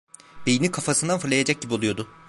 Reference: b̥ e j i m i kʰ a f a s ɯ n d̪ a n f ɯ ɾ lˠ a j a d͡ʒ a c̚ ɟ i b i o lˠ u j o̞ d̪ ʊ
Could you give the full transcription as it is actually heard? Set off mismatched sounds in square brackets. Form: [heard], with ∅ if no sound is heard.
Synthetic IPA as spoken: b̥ e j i [n] i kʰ a f a s ɯ n d̪ a n f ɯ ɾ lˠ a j a d͡ʒ a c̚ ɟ i b i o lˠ u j o̞ d̪ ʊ

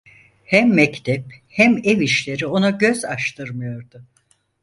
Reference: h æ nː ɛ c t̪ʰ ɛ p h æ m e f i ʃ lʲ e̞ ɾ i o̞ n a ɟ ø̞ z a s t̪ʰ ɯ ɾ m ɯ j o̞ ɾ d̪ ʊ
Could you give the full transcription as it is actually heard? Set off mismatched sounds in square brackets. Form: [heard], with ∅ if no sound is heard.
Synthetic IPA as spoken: h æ [mː] ɛ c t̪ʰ ɛ p h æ m e [v] i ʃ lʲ e̞ ɾ i o̞ n a ɟ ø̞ z a [ʃ] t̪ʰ ɯ ɾ m ɯ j o̞ ɾ d̪ ʊ

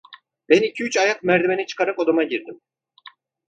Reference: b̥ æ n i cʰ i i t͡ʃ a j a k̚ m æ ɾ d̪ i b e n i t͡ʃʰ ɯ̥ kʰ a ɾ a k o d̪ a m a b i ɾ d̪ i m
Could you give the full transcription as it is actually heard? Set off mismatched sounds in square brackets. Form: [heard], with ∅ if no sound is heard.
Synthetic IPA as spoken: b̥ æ n i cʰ i [y] t͡ʃ a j a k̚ m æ ɾ d̪ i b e n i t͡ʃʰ ɯ̥ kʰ a ɾ a k o d̪ a m a [ɟ] i ɾ d̪ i m

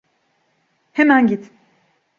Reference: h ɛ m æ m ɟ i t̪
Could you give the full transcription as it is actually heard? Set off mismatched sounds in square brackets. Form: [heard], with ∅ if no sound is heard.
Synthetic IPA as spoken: h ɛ m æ [n] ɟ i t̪

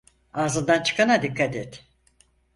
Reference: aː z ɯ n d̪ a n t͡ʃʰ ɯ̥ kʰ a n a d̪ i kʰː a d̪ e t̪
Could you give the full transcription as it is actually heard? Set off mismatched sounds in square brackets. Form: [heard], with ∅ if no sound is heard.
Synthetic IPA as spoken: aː z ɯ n d̪ a n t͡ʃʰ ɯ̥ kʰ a n a d̪ i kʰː a [t̪] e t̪

